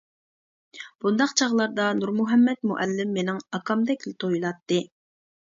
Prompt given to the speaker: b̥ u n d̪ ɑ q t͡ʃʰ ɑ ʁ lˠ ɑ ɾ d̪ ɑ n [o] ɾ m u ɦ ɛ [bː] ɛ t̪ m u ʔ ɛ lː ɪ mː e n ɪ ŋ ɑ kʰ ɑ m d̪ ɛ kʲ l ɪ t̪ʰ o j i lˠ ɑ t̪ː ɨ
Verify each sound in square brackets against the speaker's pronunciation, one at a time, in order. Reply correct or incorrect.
incorrect: u, incorrect: mː

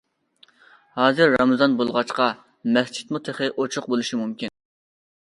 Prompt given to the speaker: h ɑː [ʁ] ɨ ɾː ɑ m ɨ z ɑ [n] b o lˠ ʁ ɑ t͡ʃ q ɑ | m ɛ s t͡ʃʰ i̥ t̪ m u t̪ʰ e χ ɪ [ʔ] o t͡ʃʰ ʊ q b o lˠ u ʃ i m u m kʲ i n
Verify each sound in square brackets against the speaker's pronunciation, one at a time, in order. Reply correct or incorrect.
incorrect: z, correct, correct

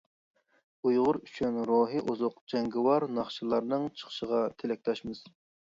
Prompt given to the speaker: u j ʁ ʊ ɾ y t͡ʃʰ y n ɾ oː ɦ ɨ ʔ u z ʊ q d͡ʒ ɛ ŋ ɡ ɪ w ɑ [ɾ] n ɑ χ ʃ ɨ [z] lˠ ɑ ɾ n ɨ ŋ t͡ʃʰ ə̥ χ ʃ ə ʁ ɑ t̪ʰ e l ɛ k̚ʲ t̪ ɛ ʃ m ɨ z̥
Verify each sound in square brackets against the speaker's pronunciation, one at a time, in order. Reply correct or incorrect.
correct, incorrect: none

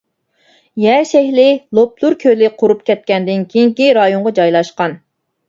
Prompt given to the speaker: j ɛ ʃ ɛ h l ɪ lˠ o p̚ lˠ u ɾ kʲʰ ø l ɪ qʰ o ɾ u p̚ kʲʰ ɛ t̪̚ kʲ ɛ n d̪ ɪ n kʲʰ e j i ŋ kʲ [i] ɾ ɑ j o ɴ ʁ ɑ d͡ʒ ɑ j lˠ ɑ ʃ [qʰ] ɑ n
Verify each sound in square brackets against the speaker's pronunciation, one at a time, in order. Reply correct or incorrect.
correct, incorrect: q

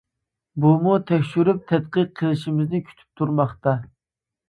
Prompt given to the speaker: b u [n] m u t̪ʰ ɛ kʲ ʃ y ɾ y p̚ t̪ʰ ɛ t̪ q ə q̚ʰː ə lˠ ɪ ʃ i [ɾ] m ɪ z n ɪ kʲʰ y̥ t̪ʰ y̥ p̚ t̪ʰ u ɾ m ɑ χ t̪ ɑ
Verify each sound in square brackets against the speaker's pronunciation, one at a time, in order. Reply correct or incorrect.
incorrect: none, incorrect: none

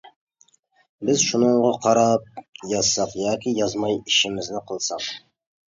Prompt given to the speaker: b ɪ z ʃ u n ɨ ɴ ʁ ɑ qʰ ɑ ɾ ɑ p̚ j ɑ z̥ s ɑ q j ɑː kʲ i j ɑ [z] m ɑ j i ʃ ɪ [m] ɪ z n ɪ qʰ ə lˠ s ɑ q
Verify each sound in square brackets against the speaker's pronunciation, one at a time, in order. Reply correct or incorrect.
correct, correct

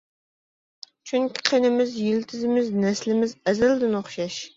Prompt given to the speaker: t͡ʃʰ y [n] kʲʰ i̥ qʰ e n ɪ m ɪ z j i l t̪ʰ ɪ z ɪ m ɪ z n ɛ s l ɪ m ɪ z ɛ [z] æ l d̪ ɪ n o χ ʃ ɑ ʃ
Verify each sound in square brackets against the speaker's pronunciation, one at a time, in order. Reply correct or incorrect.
incorrect: ŋ, correct

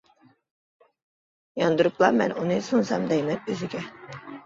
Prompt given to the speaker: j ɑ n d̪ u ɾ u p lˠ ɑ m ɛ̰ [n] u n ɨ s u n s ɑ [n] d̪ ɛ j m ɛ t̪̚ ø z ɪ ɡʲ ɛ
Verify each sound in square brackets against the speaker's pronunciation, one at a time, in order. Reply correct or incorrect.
correct, incorrect: m

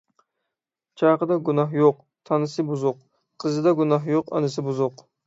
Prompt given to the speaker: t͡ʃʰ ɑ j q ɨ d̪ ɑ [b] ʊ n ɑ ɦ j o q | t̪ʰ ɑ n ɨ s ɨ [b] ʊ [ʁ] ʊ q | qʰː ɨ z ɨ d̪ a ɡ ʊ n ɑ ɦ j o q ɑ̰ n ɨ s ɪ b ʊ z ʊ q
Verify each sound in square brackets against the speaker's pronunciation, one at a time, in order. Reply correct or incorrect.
incorrect: ɡ, correct, incorrect: z

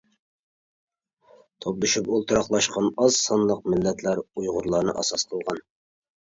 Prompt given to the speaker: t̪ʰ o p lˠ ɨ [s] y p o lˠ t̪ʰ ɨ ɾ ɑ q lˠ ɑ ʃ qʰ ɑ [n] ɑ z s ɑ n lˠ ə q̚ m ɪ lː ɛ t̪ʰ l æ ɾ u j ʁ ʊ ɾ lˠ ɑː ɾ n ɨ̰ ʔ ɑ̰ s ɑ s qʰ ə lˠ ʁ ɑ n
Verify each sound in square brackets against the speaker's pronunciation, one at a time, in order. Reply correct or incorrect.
incorrect: ʃ, correct

